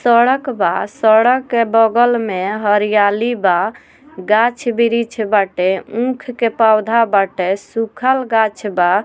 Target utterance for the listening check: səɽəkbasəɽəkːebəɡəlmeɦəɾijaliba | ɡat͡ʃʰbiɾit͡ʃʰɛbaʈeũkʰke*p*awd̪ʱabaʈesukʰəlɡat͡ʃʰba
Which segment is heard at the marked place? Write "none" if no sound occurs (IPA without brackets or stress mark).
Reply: p